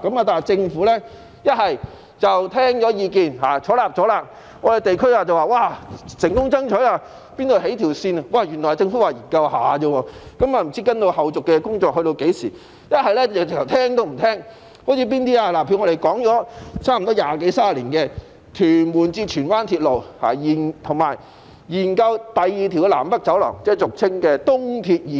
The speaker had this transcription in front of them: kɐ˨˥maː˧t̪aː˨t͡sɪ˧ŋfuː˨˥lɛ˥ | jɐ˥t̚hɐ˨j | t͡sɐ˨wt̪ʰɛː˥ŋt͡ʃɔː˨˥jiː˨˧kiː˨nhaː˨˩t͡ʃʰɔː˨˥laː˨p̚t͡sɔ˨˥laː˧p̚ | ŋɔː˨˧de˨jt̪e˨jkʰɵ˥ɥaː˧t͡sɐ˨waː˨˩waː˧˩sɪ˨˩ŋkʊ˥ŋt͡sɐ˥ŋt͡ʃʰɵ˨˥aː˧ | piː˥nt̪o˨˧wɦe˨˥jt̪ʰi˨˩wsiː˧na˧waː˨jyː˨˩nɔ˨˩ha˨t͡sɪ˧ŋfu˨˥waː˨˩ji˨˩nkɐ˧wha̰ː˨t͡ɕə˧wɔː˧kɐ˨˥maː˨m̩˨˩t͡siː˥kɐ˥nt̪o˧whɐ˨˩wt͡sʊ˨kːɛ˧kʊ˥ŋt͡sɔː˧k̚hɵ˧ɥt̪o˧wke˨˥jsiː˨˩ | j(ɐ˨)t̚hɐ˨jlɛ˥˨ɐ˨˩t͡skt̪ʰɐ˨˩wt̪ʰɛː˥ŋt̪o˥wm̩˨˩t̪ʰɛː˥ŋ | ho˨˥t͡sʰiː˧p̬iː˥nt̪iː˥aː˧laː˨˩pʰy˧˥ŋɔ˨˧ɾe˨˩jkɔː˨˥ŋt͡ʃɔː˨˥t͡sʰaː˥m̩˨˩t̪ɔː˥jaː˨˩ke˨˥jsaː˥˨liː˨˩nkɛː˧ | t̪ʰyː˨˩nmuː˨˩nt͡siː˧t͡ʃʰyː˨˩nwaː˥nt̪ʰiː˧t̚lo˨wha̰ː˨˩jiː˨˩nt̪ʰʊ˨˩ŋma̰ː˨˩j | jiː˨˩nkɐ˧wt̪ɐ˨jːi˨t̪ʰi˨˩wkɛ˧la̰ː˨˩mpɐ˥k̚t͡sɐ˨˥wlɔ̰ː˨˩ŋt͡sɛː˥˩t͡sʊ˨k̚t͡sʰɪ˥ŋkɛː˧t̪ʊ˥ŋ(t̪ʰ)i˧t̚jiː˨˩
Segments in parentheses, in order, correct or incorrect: incorrect: ɐ˥, correct

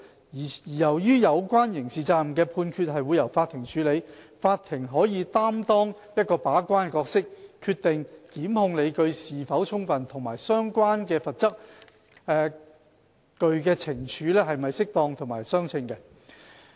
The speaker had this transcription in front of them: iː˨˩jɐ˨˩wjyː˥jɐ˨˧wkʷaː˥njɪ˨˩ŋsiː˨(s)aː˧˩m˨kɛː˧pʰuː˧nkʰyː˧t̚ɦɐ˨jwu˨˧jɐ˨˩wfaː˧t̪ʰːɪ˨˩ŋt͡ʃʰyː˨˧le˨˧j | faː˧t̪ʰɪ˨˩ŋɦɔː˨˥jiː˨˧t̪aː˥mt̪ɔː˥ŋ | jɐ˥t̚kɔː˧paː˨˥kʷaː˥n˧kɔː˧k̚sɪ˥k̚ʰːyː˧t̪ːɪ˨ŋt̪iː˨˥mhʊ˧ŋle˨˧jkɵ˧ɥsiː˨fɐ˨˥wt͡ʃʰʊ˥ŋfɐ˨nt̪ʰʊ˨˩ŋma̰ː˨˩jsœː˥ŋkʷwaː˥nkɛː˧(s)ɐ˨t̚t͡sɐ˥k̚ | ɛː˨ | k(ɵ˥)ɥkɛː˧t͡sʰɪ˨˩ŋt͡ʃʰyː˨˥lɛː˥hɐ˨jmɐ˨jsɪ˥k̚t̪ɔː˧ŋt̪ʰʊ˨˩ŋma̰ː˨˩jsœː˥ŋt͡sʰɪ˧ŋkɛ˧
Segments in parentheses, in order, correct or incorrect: incorrect: t͡s, incorrect: f, incorrect: ɵ˧

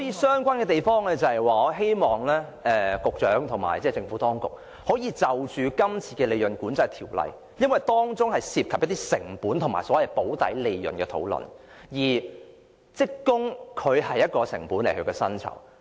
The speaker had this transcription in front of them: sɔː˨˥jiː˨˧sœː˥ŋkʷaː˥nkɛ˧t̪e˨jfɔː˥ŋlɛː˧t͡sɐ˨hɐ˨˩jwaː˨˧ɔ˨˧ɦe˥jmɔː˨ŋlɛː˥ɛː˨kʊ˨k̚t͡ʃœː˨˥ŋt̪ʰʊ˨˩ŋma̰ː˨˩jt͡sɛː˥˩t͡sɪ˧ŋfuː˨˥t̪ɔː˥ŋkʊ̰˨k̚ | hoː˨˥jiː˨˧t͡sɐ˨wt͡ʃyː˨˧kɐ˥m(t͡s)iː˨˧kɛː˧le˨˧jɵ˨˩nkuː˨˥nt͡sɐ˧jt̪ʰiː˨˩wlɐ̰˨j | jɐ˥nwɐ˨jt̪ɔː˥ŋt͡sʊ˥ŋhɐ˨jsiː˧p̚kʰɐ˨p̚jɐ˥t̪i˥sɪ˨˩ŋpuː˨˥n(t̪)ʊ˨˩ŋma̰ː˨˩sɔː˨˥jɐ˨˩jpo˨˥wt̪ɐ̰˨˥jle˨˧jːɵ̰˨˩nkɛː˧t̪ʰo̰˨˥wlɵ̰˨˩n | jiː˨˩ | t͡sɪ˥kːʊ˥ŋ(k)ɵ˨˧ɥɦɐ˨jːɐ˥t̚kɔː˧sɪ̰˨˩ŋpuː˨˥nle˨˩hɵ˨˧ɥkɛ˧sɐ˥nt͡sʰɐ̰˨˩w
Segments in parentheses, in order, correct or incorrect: incorrect: t͡sʰ, incorrect: t̪ʰ, incorrect: kʰ

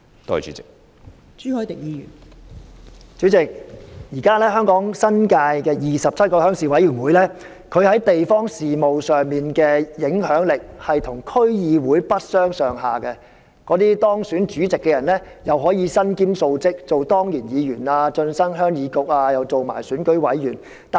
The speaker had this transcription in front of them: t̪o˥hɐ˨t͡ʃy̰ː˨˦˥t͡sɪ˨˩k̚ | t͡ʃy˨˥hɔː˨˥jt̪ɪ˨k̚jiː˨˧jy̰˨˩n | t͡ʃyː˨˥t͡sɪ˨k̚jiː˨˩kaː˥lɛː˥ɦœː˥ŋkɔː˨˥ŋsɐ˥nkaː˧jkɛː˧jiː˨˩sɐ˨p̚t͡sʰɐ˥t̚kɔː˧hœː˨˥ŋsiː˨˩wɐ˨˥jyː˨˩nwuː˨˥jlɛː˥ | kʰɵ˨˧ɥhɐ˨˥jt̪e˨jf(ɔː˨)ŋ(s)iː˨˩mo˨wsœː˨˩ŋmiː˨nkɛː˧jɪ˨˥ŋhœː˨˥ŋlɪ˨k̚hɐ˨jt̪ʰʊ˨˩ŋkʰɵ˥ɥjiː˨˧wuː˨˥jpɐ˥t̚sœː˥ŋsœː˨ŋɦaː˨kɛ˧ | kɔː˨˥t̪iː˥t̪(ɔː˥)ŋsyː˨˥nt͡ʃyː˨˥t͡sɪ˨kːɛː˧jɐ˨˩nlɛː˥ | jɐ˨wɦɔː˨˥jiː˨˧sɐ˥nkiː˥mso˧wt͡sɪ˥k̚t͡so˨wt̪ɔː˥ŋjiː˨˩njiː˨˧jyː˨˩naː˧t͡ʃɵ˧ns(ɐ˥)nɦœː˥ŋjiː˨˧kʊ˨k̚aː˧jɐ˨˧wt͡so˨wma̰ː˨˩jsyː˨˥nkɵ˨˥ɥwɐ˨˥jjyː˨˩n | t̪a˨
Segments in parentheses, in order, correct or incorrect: incorrect: ɔː˥, correct, correct, correct

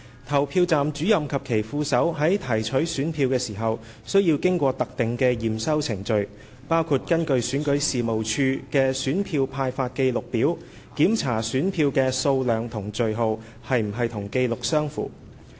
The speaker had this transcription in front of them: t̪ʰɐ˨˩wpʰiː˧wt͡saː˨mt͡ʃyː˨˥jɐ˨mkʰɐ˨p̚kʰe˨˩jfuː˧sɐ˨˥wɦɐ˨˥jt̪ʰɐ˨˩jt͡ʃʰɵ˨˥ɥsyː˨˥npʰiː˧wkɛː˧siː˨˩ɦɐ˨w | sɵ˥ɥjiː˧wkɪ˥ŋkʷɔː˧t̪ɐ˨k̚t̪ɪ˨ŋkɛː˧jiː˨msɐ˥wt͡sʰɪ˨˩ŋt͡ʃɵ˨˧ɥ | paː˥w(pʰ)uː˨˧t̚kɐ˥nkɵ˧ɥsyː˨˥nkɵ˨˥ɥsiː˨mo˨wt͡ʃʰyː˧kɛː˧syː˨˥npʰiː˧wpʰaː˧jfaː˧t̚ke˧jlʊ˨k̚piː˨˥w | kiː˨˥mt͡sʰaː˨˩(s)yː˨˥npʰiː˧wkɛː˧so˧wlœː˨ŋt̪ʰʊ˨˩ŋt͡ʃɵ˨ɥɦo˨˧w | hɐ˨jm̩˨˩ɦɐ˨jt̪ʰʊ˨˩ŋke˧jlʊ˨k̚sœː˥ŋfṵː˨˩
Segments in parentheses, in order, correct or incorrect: incorrect: kʰ, correct

